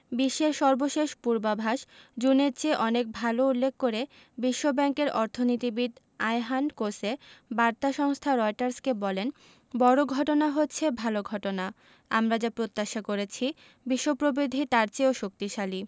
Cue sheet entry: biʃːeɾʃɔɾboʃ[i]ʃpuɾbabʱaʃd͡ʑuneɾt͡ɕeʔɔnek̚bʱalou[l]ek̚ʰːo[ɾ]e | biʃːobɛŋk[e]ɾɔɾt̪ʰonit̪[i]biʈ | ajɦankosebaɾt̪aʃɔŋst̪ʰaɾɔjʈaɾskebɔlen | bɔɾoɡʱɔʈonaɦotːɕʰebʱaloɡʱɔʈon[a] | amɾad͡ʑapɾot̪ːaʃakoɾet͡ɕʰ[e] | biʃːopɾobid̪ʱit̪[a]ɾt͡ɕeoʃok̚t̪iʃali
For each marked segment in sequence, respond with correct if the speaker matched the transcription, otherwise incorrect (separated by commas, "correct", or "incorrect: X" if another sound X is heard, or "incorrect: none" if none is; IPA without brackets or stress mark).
incorrect: e, incorrect: lː, correct, correct, correct, correct, incorrect: i, correct